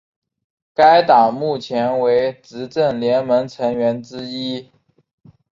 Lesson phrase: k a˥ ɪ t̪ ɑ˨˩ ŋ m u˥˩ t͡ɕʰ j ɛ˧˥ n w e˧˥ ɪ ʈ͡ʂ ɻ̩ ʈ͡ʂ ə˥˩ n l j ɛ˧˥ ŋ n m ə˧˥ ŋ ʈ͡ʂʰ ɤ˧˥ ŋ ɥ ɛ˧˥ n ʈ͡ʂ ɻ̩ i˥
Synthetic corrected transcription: k a˥ ɪ t̪ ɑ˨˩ ŋ m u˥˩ t͡ɕʰ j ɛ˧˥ n w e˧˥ ɪ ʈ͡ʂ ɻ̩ ʈ͡ʂ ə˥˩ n l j ɛ˧˥ n m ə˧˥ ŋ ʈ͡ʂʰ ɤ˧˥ ŋ ɥ ɛ˧˥ n ʈ͡ʂ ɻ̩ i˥